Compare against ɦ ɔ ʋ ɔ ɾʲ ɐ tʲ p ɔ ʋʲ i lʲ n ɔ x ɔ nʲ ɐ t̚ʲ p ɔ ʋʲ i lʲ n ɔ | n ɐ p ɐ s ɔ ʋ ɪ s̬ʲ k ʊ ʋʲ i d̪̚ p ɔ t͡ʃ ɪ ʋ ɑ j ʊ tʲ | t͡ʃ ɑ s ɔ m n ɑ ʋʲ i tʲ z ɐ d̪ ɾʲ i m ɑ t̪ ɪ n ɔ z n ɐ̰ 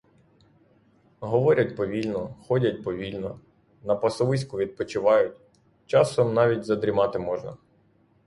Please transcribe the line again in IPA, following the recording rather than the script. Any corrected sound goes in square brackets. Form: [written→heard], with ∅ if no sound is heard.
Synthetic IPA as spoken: ɦ ɔ ʋ ɔ ɾʲ ɐ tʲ p ɔ ʋʲ i lʲ n ɔ x ɔ [nʲ→dʲ] ɐ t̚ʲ p ɔ ʋʲ i lʲ n ɔ | n ɐ p ɐ s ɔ ʋ ɪ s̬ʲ k ʊ ʋʲ i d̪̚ p ɔ t͡ʃ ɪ ʋ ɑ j ʊ tʲ | t͡ʃ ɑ s ɔ m n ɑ ʋʲ i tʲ z ɐ d̪ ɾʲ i m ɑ t̪ ɪ [n→m] ɔ [z→ʒ] n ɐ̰